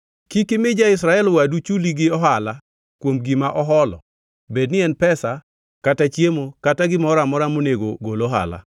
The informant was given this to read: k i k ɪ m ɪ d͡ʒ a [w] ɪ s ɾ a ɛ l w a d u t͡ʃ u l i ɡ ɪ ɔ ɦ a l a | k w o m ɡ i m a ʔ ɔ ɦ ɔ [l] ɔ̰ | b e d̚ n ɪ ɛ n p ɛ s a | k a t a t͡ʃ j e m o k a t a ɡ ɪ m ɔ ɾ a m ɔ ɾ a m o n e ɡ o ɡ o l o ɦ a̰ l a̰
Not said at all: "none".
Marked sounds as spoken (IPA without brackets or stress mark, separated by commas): none, l